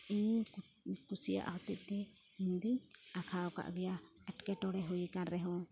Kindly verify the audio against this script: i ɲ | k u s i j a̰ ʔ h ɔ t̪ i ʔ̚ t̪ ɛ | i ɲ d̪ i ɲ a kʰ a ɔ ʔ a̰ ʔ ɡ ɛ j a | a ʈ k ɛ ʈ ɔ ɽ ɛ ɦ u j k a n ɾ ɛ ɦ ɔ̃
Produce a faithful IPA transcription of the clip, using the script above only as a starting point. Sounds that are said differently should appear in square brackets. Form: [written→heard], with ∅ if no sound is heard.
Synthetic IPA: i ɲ | k u s i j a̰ ʔ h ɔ t̪ i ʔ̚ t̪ ɛ | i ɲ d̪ i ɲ a kʰ a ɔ [ʔ→k] a̰ ʔ ɡ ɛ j a | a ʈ k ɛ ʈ ɔ ɽ ɛ ɦ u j k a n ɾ ɛ ɦ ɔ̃